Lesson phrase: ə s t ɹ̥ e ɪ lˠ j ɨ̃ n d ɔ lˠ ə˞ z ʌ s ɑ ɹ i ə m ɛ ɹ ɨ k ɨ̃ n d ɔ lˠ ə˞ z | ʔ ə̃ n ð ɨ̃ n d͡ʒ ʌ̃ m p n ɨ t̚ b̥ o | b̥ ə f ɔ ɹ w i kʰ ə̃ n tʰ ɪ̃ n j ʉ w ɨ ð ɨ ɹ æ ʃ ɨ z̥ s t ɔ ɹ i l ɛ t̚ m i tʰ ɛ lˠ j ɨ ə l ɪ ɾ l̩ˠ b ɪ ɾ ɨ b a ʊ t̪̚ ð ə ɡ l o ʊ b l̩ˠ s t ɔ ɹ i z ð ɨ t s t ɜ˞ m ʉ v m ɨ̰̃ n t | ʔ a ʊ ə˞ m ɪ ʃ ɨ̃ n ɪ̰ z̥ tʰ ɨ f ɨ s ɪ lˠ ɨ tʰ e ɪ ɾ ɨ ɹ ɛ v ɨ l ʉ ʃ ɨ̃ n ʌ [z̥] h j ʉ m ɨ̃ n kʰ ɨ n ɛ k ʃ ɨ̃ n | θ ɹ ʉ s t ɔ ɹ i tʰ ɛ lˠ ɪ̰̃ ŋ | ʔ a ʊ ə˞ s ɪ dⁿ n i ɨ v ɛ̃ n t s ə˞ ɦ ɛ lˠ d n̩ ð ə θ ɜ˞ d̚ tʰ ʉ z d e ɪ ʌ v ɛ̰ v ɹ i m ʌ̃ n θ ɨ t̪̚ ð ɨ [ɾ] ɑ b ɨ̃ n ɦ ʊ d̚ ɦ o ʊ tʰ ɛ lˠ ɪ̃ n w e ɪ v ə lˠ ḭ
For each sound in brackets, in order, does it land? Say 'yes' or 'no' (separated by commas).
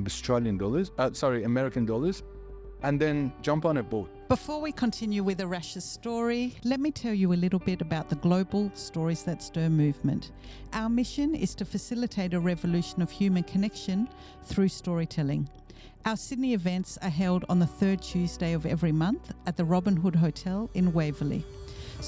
no, no